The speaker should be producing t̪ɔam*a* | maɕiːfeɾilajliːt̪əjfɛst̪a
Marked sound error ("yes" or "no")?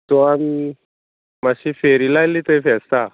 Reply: yes